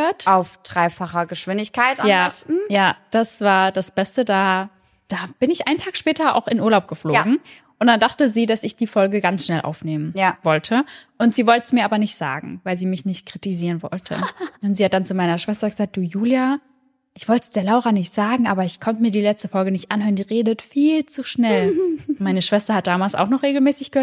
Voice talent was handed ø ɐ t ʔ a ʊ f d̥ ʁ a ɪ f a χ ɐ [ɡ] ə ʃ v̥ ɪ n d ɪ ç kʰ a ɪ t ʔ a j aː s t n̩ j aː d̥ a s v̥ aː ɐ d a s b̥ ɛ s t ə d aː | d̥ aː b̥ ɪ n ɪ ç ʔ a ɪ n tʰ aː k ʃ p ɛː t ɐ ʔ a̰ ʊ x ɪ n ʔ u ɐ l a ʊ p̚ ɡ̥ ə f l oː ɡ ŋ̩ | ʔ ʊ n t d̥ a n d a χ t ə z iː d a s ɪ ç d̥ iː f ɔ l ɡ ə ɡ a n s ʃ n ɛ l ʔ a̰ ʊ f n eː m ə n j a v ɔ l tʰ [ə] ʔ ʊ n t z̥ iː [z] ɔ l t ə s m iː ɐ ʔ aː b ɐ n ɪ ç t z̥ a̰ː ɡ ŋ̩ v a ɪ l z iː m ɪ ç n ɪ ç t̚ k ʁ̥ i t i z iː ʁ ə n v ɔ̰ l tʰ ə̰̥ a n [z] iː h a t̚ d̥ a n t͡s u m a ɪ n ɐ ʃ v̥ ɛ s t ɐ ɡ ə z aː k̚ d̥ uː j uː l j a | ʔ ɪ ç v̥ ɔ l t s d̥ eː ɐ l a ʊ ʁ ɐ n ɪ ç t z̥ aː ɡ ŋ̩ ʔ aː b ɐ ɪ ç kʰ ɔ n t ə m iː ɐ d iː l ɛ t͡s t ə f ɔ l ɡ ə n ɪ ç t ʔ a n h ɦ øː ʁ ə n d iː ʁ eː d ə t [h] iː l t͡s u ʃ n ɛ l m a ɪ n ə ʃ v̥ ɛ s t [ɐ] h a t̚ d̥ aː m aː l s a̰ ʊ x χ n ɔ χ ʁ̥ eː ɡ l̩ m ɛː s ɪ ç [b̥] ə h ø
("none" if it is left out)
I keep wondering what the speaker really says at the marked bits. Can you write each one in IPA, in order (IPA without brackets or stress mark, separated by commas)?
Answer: ɡ, ə, v, z, f, ɐ, ɡ̥